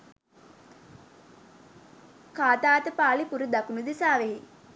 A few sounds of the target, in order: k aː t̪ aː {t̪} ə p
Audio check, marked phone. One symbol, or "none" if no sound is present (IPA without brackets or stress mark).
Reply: t̪